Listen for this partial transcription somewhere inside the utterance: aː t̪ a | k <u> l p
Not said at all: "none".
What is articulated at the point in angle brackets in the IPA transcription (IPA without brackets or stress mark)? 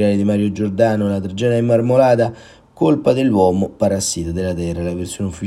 o